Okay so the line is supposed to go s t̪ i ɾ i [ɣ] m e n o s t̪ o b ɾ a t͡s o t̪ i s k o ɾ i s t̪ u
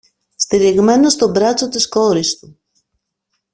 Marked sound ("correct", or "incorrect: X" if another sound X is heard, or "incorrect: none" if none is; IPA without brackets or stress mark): correct